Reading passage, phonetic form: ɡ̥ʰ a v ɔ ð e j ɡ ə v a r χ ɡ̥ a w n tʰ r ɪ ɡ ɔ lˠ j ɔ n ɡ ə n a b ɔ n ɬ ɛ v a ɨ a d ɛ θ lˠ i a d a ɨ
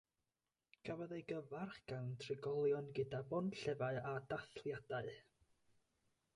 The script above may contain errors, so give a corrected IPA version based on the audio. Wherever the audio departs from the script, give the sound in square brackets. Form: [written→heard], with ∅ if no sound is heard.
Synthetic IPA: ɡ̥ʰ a v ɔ ð e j ɡ ə v a r χ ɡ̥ a w n tʰ r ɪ ɡ ɔ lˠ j ɔ n ɡ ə [n→d] a b ɔ n ɬ ɛ v a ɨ a d [ɛ→a] θ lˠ [i→j] a d a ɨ

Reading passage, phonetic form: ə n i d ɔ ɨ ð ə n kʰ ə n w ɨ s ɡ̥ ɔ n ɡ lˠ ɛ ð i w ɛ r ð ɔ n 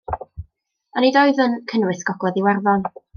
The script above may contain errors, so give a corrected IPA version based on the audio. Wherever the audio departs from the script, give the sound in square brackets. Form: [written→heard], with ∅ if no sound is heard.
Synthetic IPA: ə n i d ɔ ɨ ð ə n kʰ ə n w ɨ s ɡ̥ ɔ [n→∅] ɡ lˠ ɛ ð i w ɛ r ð ɔ n

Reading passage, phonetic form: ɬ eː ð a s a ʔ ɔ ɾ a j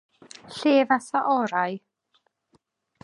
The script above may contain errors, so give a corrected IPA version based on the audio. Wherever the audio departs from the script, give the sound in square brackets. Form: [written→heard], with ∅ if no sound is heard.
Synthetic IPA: ɬ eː [ð→v] a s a ʔ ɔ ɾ a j

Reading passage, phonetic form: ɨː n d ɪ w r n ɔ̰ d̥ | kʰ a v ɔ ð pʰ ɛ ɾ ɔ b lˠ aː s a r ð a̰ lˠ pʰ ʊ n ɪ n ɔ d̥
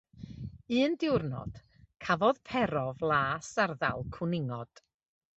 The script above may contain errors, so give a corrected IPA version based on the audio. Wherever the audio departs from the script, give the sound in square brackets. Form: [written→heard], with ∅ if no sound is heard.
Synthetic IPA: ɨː n d ɪ w r n ɔ̰ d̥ | kʰ a v ɔ ð pʰ ɛ ɾ ɔ [b→v] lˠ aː s a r ð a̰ lˠ [pʰ→kʰ] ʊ n ɪ [n→ŋ] ɔ d̥

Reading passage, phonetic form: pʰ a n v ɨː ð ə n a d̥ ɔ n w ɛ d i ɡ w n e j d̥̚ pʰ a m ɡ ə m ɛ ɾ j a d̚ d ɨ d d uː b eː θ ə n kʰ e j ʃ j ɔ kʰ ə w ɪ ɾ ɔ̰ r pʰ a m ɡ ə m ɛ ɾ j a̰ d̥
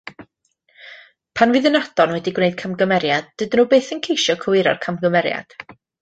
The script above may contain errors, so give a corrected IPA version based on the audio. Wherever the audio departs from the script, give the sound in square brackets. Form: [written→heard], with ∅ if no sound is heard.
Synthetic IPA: pʰ a n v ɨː ð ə n a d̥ ɔ n w ɛ d i ɡ w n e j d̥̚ [pʰ→kʰ] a m ɡ ə m ɛ ɾ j a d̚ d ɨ d [d→n] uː b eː θ ə n kʰ e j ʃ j ɔ kʰ ə w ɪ ɾ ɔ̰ r [pʰ→kʰ] a m ɡ ə m ɛ ɾ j a̰ d̥

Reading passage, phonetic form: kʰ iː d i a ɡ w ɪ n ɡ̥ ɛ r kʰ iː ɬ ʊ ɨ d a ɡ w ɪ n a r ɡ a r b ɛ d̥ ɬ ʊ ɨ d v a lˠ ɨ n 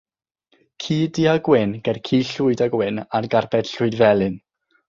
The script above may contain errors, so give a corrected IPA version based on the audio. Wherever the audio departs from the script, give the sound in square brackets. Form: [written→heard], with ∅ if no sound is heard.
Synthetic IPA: kʰ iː d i a ɡ w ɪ n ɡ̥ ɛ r kʰ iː ɬ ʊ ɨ d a ɡ w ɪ n a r ɡ a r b ɛ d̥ ɬ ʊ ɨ d v [a→ɛ] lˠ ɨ n

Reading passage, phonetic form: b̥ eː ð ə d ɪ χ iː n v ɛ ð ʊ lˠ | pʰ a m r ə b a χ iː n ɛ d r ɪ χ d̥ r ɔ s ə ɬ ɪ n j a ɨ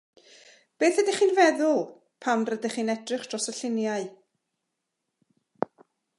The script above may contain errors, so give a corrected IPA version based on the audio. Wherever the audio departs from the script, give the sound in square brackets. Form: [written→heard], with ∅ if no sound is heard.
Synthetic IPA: b̥ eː [ð→θ] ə d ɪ χ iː n v ɛ ð ʊ lˠ | pʰ a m r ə [b→d] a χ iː n ɛ d r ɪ χ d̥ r ɔ s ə ɬ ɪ n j a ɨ

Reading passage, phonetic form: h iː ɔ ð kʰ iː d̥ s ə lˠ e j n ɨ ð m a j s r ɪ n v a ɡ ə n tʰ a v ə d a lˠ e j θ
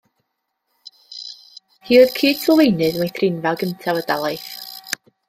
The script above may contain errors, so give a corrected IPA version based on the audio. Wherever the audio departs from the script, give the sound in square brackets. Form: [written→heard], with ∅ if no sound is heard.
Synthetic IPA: h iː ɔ ð kʰ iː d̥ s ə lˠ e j n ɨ ð m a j [s→θ] r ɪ n v a ɡ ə n tʰ a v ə d a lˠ [e→a] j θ

